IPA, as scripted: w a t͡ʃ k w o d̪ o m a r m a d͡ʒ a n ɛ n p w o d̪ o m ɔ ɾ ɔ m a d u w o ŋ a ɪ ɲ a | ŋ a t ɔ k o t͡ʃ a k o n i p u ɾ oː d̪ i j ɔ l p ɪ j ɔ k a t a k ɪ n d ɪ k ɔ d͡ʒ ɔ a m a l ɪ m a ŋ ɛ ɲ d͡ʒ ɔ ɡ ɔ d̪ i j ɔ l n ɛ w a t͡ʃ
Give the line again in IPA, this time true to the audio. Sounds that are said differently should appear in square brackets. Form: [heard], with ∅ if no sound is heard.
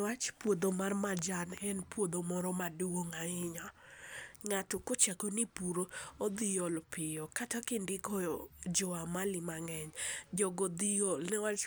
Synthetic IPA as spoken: w a t͡ʃ [p] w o d̪ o m a r m a d͡ʒ a n ɛ n p w o d̪ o m ɔ ɾ ɔ m a d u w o ŋ a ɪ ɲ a | ŋ a t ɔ k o t͡ʃ a k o n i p u ɾ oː d̪ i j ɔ l p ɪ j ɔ k a t a k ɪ n d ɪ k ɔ d͡ʒ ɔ a m a l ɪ m a ŋ ɛ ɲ d͡ʒ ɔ ɡ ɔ d̪ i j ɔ l n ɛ w a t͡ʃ